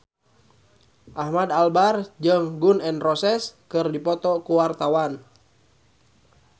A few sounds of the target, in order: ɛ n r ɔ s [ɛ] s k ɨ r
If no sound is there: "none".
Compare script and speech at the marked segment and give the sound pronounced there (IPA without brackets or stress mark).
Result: ɛ